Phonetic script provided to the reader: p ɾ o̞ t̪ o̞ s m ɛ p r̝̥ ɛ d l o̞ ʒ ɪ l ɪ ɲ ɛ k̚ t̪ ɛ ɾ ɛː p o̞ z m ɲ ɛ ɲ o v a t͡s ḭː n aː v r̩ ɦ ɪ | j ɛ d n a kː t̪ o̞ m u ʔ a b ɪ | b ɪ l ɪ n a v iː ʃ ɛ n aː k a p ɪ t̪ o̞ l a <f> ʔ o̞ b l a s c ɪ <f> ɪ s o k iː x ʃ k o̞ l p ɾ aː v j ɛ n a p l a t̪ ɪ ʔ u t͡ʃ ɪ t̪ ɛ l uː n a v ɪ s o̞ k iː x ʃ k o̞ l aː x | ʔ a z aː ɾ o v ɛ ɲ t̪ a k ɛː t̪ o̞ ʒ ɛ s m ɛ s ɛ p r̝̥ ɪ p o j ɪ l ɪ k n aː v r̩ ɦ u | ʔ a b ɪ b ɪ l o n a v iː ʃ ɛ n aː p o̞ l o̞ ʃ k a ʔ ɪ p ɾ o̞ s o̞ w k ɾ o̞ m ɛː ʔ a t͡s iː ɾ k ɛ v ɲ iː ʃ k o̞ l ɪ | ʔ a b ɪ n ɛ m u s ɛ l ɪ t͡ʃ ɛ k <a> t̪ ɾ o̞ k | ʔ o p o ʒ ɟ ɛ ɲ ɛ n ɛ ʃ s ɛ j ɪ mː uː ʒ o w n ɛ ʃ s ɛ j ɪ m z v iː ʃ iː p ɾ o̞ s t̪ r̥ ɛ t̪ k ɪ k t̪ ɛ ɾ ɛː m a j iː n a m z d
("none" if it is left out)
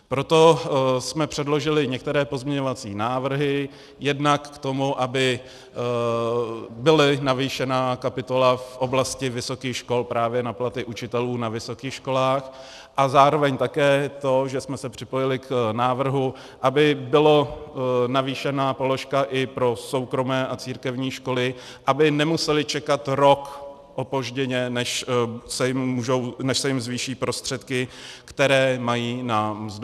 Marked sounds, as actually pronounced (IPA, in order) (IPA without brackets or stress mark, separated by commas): f, v, a